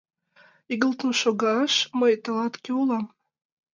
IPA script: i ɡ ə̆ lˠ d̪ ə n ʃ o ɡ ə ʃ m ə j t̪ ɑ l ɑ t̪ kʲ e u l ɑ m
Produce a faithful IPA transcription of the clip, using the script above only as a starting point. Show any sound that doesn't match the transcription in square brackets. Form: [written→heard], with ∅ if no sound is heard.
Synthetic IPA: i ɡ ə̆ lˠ [d̪→t̪] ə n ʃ o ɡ [ə→ɑ] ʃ m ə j t̪ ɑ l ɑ t̪ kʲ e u l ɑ m